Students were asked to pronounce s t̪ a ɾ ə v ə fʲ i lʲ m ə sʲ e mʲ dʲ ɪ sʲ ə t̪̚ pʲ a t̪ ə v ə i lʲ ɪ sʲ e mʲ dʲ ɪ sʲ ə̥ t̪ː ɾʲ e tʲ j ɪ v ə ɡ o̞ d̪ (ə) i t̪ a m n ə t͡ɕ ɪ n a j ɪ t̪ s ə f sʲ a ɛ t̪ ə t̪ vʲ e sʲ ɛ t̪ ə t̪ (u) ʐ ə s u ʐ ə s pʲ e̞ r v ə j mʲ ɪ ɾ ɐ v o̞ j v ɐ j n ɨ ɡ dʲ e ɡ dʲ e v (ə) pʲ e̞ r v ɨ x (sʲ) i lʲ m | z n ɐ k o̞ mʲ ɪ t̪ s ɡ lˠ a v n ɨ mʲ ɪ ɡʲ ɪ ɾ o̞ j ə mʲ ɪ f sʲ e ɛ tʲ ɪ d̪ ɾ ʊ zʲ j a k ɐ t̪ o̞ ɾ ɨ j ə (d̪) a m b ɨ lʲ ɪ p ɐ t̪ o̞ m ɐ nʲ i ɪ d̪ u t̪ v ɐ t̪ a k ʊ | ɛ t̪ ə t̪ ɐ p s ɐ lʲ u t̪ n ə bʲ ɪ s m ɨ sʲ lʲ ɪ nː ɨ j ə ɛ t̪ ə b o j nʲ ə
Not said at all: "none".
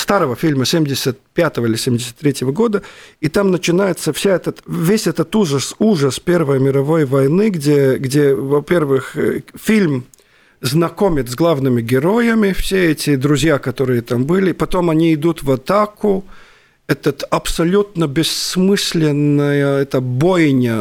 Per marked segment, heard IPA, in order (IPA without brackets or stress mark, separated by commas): ə, u, ɐ, fʲ, t̪